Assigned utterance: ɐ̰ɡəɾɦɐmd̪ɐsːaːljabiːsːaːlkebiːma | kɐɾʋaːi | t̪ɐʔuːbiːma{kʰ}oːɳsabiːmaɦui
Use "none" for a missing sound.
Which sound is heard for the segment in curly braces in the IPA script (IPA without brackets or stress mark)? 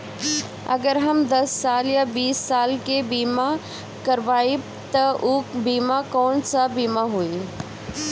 k